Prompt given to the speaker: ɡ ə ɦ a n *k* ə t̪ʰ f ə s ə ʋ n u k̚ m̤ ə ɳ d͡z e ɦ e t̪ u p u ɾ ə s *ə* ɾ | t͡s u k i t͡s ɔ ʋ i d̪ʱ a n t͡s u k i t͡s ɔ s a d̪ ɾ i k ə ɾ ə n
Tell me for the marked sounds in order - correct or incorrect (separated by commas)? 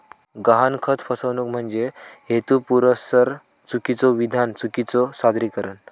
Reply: incorrect, correct